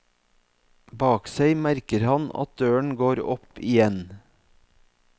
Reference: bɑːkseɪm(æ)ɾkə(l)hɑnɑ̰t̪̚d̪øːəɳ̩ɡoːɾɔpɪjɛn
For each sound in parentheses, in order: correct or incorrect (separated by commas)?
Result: correct, incorrect